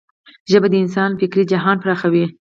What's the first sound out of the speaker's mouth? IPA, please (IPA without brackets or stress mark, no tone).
ʒ